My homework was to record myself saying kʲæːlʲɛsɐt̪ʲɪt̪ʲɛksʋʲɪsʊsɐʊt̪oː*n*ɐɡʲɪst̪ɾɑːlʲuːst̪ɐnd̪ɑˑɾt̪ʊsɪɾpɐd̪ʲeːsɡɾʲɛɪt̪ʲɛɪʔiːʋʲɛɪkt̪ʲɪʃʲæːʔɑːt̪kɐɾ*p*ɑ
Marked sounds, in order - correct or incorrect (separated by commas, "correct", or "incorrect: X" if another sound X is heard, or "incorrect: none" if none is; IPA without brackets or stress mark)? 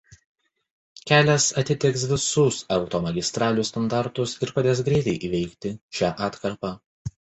incorrect: m, correct